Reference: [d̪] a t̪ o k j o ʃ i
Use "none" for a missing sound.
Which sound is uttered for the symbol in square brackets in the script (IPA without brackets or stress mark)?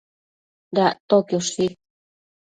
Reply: d̪